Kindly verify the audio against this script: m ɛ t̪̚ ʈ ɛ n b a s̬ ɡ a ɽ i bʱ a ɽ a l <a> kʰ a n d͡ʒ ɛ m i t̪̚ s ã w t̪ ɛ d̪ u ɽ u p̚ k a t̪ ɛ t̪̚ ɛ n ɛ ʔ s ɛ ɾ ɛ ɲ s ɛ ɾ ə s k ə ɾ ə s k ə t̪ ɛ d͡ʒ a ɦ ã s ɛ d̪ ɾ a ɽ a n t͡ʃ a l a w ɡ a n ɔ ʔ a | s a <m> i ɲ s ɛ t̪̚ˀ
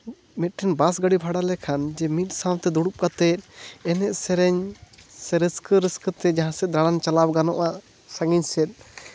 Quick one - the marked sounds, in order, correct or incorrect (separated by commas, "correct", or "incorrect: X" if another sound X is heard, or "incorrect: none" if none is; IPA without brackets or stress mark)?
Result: incorrect: ɛ, incorrect: ŋ